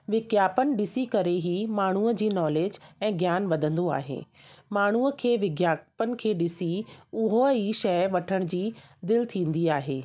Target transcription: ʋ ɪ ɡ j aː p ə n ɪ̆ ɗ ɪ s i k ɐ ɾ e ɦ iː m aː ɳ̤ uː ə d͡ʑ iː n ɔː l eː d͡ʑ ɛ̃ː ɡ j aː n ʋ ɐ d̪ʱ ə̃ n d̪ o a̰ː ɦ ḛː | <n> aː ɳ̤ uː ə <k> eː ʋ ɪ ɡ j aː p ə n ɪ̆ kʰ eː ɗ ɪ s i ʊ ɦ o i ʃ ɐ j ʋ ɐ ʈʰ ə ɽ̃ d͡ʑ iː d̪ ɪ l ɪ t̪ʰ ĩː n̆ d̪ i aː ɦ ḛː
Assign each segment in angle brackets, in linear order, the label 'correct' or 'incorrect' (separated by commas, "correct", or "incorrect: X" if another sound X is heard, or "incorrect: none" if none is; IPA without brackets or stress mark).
incorrect: m, incorrect: kʰ